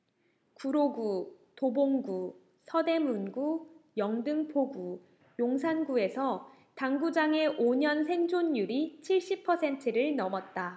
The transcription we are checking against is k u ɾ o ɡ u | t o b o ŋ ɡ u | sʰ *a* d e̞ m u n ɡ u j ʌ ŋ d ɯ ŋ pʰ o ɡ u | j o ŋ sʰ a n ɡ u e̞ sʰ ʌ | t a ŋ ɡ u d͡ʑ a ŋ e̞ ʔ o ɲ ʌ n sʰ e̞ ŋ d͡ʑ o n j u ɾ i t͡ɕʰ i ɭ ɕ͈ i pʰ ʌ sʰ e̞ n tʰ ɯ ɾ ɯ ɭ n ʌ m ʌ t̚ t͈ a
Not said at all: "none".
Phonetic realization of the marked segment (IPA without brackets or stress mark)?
ʌ